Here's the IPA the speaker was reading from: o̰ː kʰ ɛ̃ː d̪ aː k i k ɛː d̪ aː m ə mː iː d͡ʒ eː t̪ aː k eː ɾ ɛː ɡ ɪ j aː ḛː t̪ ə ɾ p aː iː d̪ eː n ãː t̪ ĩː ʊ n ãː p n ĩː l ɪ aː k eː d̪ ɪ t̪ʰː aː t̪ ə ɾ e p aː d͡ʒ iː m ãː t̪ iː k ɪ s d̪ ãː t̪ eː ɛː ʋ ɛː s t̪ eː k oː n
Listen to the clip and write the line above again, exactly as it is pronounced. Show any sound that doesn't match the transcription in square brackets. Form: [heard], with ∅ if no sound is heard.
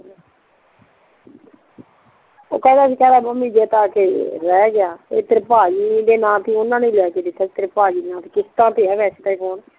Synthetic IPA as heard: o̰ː [k] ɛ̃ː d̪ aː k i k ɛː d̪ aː m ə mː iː d͡ʒ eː t̪ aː k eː ɾ ɛː ɡ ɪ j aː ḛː t̪ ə ɾ p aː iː d̪ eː n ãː t̪ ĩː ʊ n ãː [∅] n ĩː l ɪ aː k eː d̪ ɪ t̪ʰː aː t̪ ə ɾ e p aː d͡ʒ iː [n] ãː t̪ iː k ɪ s [t̪] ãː t̪ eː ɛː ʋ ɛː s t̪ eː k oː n